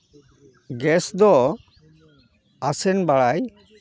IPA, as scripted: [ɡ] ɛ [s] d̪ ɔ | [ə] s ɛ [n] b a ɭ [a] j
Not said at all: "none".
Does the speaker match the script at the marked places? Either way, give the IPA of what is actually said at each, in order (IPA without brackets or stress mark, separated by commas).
ɡ, s, a, n, a